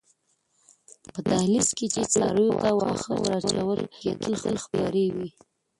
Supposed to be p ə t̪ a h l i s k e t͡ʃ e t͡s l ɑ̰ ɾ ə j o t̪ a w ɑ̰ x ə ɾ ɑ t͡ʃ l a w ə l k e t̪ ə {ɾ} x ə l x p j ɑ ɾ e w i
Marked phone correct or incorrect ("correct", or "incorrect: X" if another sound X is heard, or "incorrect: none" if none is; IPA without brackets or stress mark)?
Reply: incorrect: l